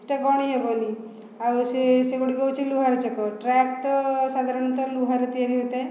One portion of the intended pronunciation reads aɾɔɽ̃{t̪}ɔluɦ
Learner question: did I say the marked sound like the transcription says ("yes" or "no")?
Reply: yes